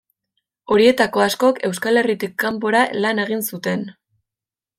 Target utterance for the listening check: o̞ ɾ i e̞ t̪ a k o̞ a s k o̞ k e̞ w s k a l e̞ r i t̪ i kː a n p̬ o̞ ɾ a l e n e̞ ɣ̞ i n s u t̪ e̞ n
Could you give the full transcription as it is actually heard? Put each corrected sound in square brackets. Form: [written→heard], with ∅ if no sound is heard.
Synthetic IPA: o̞ ɾ i e̞ t̪ a k o̞ a s k o̞ k e̞ w s k a l e̞ r i t̪ i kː a [n→m] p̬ o̞ ɾ a l [e→a] n e̞ ɣ̞ i n s u t̪ e̞ n